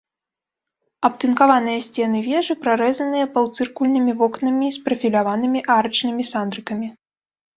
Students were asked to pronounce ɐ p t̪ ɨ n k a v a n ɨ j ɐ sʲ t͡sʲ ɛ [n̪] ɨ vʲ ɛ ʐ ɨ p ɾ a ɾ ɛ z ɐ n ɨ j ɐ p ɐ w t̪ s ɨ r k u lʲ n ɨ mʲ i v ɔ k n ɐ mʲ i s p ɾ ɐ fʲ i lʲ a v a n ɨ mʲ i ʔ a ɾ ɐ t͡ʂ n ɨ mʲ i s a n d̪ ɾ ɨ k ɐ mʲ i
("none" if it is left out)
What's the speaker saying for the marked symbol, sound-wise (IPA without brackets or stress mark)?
n̪